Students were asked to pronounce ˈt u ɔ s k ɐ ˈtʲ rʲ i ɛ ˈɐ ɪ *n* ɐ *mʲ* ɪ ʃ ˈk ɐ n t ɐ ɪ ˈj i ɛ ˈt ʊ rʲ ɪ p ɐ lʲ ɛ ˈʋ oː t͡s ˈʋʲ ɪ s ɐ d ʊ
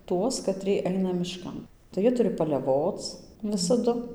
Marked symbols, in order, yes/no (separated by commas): yes, yes